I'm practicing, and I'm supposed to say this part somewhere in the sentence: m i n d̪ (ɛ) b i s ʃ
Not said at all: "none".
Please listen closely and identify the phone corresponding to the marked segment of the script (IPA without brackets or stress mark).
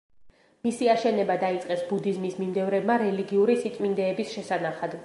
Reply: ɛː